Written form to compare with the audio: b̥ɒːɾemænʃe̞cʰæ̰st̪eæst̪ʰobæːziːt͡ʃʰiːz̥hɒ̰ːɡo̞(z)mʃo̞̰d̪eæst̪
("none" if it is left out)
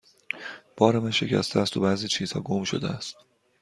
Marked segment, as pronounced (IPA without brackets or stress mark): none